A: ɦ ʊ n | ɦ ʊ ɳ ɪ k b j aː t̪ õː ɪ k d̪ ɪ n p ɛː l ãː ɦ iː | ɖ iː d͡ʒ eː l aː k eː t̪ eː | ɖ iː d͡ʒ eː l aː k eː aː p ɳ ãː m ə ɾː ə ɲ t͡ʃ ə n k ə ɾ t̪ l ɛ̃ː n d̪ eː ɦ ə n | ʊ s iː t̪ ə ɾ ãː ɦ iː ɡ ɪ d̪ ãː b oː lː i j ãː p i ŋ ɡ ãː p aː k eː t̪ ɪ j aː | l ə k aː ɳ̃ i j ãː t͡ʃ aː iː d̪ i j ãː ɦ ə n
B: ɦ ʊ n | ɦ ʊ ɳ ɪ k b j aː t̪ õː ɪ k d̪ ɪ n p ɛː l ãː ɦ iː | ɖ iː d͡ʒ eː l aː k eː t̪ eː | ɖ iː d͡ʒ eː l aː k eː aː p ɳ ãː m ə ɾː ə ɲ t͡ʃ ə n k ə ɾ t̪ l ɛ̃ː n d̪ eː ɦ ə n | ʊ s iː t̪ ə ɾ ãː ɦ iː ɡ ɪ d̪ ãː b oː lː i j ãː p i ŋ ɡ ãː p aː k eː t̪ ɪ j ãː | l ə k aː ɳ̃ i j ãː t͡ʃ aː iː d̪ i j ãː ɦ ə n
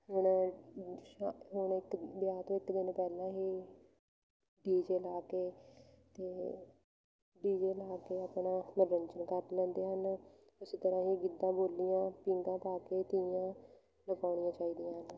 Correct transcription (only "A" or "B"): B